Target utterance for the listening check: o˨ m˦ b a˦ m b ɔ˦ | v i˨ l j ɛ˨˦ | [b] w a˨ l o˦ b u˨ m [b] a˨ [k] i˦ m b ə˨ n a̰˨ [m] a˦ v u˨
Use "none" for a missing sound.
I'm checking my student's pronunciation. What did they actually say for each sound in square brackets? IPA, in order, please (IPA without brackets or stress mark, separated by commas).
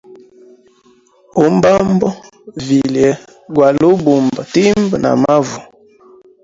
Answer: ɡ, b, t, m